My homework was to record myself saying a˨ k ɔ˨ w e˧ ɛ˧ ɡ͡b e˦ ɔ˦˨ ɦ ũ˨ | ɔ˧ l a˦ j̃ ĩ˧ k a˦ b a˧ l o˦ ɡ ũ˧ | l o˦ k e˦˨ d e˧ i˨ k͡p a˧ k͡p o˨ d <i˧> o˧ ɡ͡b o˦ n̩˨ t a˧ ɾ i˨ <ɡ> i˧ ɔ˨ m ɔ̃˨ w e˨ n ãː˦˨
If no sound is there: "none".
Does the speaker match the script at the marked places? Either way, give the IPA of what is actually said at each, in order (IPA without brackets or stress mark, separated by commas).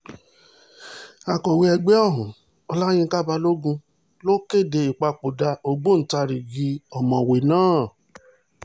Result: a˧, ɡ